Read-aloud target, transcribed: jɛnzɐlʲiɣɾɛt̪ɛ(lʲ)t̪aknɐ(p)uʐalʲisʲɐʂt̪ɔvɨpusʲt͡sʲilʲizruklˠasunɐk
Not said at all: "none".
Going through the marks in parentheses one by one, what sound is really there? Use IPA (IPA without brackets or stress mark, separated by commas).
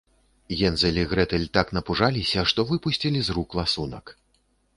lʲ, p